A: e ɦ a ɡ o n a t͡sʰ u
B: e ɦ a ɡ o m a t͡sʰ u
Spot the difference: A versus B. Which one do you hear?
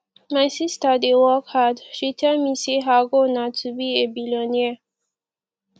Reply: A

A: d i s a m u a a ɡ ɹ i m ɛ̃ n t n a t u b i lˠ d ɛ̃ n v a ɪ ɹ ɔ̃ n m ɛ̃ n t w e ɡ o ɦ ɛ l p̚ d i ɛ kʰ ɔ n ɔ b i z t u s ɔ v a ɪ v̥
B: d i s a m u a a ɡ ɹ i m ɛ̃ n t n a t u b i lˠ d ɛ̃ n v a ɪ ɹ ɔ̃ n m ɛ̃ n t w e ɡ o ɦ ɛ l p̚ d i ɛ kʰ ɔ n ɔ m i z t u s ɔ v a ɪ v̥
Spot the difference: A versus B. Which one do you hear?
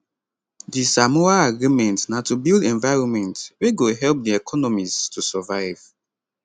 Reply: B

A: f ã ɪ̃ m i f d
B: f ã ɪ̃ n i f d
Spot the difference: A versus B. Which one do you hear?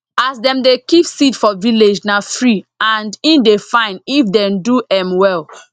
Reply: B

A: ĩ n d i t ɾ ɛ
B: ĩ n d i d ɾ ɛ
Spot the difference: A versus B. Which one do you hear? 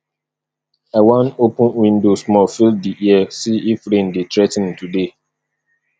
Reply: A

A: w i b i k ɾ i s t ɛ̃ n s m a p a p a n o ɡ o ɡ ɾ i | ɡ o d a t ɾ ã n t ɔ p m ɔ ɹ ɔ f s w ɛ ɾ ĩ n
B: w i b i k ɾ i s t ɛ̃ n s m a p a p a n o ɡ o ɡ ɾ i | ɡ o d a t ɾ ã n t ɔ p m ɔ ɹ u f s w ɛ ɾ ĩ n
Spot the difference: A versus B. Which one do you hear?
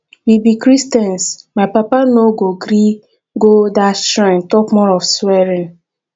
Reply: A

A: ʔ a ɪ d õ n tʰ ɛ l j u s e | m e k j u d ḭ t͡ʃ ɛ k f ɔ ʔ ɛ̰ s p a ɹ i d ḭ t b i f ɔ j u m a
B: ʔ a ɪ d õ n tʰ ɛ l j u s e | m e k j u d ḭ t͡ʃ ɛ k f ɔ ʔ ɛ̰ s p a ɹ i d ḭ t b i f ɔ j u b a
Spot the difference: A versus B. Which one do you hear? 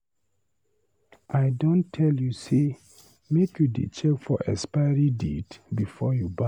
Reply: B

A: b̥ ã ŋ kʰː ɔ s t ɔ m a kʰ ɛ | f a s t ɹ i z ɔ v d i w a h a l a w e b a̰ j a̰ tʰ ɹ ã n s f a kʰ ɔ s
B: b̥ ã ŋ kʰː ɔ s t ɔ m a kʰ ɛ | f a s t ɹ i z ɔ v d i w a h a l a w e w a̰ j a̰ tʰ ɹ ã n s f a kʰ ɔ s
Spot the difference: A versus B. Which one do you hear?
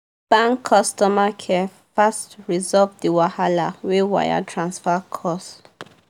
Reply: B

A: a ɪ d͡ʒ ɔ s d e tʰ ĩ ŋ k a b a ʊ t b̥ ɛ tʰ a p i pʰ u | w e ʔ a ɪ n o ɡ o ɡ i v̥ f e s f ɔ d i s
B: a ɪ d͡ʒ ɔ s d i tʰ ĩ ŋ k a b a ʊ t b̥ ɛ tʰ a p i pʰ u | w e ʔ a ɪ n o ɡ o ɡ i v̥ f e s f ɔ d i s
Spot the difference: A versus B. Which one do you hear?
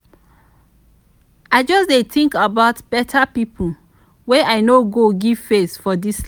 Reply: A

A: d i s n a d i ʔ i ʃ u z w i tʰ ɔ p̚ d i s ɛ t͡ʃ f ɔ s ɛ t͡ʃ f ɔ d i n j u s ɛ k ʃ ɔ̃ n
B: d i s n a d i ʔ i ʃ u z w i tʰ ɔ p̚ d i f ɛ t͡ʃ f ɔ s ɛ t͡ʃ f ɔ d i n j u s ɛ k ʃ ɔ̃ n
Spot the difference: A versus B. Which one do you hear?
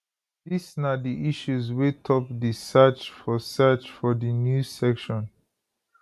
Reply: A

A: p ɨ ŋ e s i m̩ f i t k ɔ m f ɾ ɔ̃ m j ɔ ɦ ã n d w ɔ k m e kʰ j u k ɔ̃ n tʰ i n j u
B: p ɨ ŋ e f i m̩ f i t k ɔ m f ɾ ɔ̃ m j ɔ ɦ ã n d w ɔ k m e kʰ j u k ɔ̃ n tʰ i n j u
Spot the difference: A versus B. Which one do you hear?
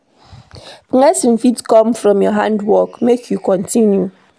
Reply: A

